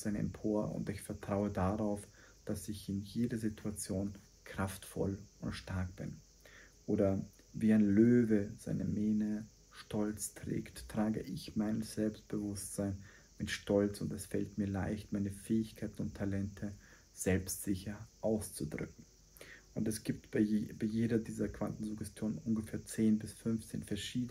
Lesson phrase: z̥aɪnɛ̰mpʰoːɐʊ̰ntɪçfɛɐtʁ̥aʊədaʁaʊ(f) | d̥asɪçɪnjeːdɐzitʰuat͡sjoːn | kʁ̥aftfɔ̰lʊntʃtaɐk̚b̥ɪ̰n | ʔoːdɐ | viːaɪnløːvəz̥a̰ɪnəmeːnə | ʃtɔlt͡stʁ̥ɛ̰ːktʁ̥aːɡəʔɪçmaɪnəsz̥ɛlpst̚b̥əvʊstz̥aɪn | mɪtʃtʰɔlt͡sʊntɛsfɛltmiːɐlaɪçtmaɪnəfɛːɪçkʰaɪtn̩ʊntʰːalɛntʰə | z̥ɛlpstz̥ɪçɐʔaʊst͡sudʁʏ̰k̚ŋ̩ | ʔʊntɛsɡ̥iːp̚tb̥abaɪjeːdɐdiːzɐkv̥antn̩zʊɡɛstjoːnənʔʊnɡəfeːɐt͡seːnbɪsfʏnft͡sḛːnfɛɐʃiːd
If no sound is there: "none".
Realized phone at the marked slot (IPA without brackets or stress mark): f